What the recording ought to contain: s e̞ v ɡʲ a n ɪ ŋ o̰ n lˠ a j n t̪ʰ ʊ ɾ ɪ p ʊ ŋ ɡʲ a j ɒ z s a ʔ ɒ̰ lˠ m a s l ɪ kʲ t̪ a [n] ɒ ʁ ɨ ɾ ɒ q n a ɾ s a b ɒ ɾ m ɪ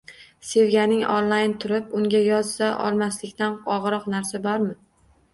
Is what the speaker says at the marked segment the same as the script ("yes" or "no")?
yes